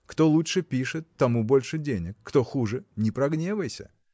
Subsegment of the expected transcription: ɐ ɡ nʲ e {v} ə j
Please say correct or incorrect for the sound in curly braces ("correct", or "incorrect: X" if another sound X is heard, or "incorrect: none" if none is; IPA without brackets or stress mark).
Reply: correct